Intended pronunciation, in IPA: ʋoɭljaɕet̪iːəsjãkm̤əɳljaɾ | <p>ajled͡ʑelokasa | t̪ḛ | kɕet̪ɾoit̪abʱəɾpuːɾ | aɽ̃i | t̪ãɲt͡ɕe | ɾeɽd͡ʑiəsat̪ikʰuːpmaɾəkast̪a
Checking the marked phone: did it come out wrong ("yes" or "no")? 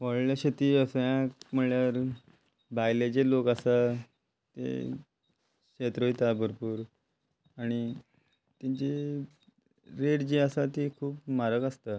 yes